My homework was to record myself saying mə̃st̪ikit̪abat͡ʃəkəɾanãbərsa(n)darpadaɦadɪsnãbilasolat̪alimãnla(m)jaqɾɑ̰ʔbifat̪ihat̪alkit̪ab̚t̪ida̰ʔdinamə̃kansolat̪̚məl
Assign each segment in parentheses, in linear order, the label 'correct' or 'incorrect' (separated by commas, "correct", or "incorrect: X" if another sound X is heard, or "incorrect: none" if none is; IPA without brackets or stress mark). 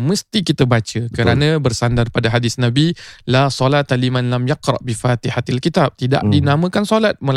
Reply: correct, correct